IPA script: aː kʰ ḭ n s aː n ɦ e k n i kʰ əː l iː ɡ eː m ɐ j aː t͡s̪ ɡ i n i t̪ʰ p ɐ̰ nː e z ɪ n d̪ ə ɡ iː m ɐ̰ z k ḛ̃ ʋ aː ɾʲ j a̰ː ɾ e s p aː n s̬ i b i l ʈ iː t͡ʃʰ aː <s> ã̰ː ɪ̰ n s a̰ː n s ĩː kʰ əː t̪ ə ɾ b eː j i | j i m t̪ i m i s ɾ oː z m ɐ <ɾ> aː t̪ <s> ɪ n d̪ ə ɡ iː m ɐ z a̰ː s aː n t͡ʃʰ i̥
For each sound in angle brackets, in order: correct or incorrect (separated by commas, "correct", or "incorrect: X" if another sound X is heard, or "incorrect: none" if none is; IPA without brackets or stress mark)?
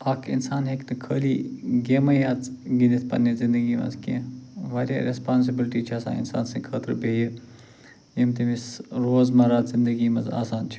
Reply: correct, correct, incorrect: z